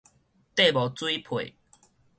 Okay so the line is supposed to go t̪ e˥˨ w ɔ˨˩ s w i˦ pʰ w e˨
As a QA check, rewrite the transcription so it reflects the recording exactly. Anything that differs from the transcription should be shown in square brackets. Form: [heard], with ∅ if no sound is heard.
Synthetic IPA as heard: t̪ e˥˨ [b] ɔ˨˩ [t͡s] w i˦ pʰ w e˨